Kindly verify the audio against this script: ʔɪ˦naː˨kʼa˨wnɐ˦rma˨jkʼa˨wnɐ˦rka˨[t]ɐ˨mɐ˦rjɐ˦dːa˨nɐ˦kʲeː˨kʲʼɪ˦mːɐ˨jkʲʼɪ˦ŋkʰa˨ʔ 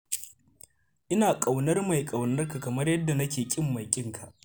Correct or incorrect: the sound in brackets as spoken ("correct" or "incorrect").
incorrect